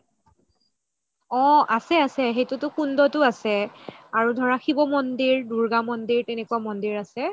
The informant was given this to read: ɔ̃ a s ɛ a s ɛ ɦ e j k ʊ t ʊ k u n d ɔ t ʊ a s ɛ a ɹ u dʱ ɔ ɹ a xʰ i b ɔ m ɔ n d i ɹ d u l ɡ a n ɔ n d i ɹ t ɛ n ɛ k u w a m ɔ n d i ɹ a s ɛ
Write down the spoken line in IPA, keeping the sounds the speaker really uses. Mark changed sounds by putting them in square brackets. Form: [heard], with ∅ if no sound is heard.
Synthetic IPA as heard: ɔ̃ a s ɛ a s ɛ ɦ e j [t] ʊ t ʊ k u n d ɔ t ʊ a s ɛ a ɹ u dʱ ɔ ɹ a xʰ i b ɔ m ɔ n d i ɹ d u [ɹ] ɡ a [m] ɔ n d i ɹ t ɛ n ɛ k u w a m ɔ n d i ɹ a s ɛ